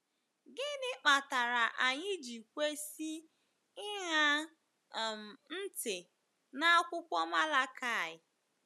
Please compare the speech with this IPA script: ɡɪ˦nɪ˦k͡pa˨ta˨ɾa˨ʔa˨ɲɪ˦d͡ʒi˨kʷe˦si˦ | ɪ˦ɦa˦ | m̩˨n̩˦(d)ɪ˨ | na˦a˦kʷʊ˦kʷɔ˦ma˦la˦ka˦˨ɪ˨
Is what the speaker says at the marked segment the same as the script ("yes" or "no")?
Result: no